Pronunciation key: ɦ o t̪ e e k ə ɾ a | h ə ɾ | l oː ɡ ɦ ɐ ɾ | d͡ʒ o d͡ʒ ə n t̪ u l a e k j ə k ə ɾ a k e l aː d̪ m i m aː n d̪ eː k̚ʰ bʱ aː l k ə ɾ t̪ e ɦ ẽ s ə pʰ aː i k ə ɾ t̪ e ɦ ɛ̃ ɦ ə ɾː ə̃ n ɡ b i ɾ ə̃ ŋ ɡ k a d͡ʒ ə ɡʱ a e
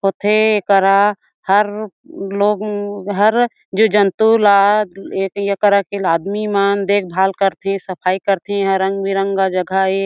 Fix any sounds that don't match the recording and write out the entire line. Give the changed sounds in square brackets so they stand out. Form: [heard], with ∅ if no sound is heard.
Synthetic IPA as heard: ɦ o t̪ e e k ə ɾ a | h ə ɾ | l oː ɡ ɦ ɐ ɾ | d͡ʒ o d͡ʒ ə n t̪ u l a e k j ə k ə ɾ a k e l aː d̪ m i m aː n d̪ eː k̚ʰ bʱ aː l k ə ɾ t̪ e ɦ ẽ s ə pʰ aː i k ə ɾ t̪ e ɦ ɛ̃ ɦ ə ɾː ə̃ [ŋ] ɡ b i ɾ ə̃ ŋ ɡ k a d͡ʒ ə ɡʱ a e